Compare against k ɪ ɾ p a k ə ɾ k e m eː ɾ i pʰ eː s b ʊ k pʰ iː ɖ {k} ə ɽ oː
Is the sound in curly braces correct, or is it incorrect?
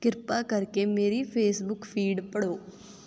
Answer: incorrect